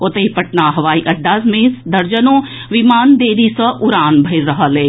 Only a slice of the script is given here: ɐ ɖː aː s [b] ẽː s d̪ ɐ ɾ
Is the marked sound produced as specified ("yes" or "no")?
no